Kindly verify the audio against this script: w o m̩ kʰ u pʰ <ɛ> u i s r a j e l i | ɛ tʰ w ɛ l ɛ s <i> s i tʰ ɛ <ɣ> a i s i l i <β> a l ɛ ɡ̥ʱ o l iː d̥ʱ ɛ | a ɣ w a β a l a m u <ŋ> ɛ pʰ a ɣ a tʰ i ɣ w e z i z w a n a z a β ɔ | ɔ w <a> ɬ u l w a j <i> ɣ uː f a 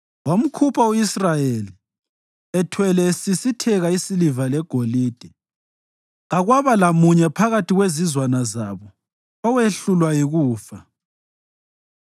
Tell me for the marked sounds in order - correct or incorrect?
incorrect, correct, correct, incorrect, incorrect, incorrect, correct

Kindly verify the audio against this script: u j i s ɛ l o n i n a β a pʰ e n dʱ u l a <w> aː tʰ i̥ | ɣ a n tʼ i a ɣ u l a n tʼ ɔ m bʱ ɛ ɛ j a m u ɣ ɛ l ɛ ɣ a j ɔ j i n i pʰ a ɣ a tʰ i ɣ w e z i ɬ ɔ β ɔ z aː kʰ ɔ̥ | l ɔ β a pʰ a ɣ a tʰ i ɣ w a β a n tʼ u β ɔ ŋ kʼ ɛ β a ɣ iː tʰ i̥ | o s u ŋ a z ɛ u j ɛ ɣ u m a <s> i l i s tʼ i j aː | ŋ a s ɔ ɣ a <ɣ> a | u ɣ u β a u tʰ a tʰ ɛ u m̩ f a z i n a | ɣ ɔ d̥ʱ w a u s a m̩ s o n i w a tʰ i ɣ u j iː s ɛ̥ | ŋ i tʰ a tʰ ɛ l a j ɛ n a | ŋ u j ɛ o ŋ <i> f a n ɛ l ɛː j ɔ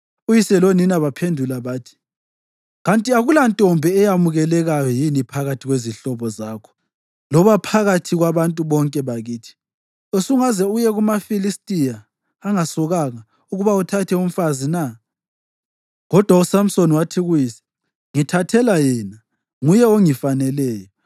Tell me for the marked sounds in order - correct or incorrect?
incorrect, incorrect, correct, correct

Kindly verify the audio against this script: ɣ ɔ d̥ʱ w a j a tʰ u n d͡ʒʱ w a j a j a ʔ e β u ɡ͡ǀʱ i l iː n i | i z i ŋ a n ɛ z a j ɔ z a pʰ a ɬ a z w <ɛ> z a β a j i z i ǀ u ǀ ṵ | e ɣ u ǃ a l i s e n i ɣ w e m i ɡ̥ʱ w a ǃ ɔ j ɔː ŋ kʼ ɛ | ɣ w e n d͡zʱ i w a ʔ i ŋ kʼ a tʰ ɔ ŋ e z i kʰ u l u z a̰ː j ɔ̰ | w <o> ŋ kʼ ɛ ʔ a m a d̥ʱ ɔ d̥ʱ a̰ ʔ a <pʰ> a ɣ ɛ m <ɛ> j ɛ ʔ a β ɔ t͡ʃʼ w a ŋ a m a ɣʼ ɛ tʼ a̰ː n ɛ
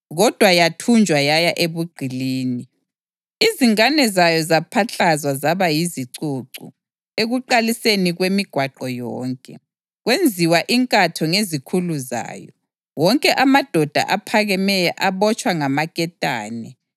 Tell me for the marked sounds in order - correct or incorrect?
incorrect, incorrect, correct, correct

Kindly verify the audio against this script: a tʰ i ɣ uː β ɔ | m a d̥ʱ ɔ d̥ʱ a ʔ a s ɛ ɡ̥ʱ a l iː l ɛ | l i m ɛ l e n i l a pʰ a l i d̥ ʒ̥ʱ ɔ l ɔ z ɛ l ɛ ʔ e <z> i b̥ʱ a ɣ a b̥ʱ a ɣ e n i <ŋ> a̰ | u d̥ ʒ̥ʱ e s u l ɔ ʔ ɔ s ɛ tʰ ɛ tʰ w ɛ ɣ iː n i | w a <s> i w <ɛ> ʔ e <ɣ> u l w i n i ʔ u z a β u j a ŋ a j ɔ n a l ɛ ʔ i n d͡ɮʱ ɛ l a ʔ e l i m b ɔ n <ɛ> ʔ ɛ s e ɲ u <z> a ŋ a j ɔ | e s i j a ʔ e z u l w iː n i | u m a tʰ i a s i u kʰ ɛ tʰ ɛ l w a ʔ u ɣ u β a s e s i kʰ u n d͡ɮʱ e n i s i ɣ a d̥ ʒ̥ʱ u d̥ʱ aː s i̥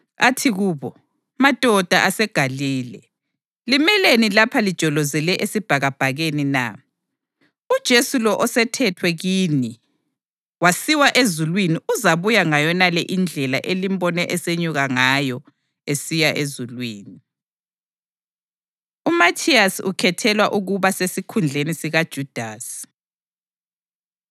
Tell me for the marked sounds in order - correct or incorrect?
incorrect, incorrect, correct, incorrect, incorrect, correct, incorrect

